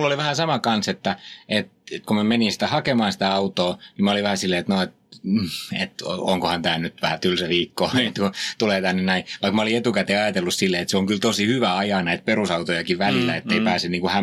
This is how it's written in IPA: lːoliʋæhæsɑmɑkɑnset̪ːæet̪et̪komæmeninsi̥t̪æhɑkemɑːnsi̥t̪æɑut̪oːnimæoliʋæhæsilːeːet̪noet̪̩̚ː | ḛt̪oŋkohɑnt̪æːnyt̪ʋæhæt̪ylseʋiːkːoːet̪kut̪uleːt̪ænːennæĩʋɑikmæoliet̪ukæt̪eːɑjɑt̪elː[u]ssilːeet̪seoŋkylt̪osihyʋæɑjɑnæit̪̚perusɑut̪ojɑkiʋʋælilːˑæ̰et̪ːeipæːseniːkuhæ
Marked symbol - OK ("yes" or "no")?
yes